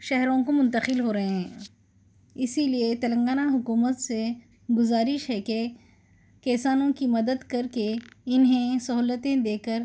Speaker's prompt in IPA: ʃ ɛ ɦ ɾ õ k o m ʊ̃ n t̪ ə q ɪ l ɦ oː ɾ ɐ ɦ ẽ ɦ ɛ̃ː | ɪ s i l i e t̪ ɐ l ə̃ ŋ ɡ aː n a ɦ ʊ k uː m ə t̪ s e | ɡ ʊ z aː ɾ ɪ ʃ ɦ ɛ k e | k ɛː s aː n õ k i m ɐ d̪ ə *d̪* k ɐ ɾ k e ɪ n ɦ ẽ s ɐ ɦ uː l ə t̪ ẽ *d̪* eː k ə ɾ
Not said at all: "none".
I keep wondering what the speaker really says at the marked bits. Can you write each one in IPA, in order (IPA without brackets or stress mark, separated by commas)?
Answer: d̪, d̪